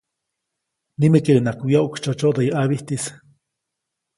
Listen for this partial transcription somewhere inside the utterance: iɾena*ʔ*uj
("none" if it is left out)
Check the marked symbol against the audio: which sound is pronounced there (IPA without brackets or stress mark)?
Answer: k